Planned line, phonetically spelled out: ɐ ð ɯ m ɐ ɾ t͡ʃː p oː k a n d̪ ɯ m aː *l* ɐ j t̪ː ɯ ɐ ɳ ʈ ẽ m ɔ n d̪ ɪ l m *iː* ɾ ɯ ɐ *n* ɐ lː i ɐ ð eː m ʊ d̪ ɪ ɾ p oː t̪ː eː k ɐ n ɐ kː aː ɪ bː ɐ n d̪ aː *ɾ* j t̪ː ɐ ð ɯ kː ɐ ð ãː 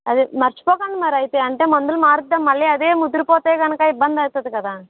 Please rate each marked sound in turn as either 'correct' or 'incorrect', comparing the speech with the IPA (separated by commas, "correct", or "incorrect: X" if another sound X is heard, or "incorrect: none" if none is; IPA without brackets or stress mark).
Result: incorrect: ɾ, incorrect: aː, incorrect: m, incorrect: none